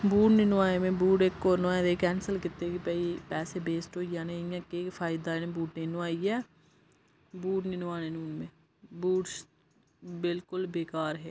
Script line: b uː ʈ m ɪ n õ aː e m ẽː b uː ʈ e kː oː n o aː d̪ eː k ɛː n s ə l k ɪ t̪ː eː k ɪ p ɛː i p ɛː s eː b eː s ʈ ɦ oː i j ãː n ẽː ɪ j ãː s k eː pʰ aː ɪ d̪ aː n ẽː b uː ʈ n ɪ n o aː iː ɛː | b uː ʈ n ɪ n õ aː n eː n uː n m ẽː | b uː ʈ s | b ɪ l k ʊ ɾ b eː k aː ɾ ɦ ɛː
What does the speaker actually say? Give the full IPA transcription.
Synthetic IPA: b uː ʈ n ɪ n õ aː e m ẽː b uː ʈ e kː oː n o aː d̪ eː k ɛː n s ə l k ɪ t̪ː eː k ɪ p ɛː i p ɛː s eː b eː s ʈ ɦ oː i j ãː n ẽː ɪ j ãː k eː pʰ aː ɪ d̪ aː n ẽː b uː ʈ n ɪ n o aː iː ɛː | b uː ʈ n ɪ n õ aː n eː n uː n m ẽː | b uː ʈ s | b ɪ l k ʊ l b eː k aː ɾ ɦ ɛː